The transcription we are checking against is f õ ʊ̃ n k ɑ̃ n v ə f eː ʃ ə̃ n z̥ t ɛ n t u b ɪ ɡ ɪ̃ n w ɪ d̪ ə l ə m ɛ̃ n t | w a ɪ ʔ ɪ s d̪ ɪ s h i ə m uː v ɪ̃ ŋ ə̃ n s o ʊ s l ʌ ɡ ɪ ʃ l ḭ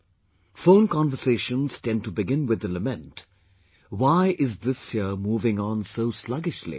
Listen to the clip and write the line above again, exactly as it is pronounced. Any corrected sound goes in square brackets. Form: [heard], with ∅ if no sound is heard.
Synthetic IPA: f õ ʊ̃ n k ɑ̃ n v ə [s] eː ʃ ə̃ n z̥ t [ɛ̃] n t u b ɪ ɡ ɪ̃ n w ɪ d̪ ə l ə m ɛ̃ n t | w a ɪ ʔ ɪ [z] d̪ ɪ s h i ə m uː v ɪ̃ ŋ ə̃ n s o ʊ s l ʌ ɡ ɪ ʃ l ḭ